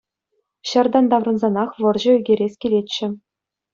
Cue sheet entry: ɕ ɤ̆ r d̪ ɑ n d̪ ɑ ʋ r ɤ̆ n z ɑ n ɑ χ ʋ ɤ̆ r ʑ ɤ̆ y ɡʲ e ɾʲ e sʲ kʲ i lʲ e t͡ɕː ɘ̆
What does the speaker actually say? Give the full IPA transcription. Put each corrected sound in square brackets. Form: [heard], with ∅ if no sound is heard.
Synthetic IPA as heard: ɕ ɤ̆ r d̪ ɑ n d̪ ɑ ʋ r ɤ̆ n z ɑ n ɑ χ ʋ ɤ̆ r ʑ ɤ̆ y ɡʲ e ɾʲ e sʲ kʲ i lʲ e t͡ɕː ɘ̆